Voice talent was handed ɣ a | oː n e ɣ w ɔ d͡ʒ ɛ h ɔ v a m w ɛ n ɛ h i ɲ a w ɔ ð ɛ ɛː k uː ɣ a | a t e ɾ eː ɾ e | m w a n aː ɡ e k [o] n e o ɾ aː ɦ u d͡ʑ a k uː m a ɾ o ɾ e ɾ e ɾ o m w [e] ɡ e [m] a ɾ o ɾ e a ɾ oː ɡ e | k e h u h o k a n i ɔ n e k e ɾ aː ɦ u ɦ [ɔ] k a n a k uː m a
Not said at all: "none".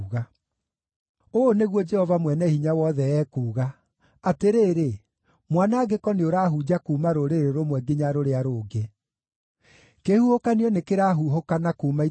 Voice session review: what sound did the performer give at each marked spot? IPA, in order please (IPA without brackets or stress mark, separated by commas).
ɔ, ɛ, ɲ, o